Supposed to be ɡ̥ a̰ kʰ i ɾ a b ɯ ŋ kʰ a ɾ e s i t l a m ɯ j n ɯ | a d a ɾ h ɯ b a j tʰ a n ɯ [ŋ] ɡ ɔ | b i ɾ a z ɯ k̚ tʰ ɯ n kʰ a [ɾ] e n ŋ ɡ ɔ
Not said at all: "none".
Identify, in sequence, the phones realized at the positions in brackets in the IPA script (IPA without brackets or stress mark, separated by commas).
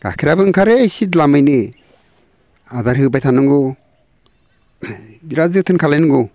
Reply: ŋ, l